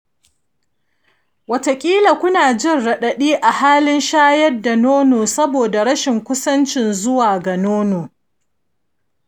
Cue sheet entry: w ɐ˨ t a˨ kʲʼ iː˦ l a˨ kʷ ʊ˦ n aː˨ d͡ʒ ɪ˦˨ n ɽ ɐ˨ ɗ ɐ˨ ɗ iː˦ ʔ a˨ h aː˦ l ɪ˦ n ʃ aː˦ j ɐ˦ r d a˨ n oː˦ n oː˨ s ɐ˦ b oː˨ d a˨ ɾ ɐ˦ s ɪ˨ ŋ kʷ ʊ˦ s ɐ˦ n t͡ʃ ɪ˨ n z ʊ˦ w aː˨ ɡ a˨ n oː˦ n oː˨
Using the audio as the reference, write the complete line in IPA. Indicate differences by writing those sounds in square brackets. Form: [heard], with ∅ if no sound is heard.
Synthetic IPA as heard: w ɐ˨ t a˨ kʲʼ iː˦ l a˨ kʷ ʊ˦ n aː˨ d͡ʒ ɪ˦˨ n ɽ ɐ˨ ɗ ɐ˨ ɗ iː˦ ʔ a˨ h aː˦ l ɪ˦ n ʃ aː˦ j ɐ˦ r d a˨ n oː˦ n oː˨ s ɐ˦ b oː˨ d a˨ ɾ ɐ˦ [ʃ] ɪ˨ ŋ kʷ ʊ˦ s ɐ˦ n t͡ʃ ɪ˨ n z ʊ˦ w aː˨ ɡ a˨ n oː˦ n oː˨